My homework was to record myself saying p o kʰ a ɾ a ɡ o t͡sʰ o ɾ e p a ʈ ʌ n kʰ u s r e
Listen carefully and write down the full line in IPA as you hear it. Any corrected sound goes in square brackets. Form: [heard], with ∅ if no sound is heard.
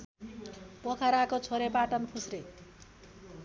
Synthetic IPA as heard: p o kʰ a ɾ a [k] o t͡sʰ o ɾ e p a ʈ ʌ n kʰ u s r e